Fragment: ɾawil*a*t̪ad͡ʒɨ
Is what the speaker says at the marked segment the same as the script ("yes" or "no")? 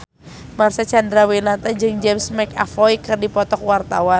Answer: yes